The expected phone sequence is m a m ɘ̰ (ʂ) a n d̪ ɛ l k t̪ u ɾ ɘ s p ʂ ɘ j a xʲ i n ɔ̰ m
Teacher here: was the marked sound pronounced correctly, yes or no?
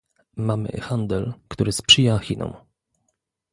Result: no